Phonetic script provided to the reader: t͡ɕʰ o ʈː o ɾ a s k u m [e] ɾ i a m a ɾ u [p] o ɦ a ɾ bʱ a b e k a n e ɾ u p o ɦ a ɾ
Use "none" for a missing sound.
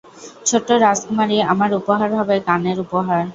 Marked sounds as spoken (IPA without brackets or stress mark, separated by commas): a, p